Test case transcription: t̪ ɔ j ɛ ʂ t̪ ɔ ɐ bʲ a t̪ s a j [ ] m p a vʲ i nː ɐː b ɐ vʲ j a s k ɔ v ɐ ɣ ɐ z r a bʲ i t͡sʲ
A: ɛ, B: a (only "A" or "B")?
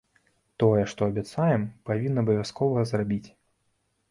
A